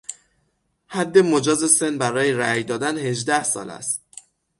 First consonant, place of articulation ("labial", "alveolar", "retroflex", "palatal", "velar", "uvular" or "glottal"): glottal